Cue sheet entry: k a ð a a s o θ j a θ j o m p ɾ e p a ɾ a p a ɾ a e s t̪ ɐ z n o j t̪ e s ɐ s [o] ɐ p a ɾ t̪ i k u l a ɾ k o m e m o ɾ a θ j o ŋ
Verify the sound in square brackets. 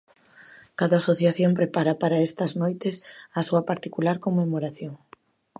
incorrect: u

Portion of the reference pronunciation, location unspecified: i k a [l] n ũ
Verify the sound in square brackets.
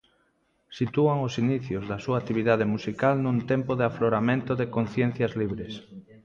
correct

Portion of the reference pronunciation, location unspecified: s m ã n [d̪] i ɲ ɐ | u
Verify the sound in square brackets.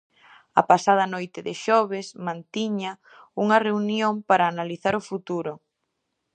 incorrect: t̪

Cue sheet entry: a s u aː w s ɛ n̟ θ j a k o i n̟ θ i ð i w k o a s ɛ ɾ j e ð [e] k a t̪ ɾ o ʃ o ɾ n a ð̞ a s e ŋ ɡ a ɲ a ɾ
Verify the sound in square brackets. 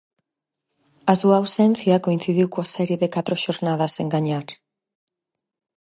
correct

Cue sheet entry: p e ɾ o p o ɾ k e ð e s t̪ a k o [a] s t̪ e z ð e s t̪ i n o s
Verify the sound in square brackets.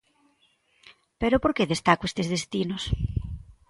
incorrect: e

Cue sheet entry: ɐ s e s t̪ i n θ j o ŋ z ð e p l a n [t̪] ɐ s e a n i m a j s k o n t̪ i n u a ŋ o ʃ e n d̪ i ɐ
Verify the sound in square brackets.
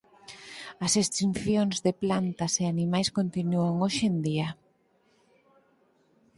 correct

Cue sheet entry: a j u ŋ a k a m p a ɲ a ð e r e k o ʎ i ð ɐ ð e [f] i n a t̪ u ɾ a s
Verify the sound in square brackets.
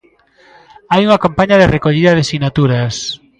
incorrect: s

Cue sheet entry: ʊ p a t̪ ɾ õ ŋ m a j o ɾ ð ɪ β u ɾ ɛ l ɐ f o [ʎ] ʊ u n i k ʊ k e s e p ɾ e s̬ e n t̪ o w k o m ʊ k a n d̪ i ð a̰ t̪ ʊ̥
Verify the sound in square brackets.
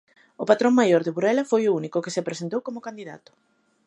incorrect: j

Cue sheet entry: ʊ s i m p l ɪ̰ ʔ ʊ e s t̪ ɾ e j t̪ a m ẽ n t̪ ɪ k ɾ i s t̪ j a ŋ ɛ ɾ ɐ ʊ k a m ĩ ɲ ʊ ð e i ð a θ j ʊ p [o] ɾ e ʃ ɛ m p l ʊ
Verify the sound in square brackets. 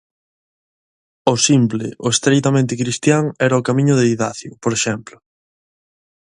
correct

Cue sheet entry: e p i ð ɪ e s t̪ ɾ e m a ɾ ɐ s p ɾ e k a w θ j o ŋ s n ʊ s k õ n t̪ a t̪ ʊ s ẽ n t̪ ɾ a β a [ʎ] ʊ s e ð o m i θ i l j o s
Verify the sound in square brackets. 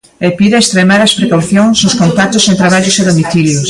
correct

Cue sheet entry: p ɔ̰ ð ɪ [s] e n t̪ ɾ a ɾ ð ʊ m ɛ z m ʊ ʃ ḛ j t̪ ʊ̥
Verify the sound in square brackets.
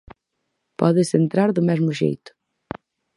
correct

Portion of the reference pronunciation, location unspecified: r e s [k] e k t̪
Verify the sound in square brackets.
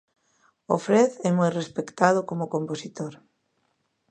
incorrect: p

